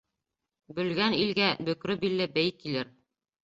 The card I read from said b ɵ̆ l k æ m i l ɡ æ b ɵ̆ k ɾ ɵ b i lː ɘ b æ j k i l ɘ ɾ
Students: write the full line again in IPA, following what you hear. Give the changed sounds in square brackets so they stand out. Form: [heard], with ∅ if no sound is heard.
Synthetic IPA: b ɵ̆ l [ɡ] æ [n] i l ɡ æ b ɵ̆ k ɾ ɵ b i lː ɘ b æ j k i l ɘ ɾ